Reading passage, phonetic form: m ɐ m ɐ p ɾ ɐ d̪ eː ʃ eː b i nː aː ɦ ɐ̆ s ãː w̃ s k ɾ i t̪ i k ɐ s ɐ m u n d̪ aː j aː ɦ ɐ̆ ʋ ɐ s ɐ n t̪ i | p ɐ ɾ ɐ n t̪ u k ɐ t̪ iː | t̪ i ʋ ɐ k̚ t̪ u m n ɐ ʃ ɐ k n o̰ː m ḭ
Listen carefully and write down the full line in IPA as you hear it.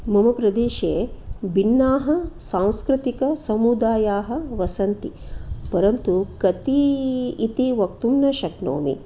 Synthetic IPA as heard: m ɐ m ɐ p ɾ ɐ d̪ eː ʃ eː b i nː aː ɦ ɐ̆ s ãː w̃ s k ɾ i t̪ i k ɐ s ɐ m u d̪ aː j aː ɦ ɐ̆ ʋ ɐ s ɐ n t̪ i | p ɐ ɾ ɐ n t̪ u k ɐ t̪ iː | t̪ i ʋ ɐ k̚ t̪ u m n ɐ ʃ ɐ k n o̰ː m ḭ